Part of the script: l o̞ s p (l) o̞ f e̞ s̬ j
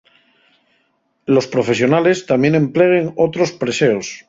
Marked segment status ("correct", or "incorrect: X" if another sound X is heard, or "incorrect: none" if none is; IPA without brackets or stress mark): incorrect: ɾ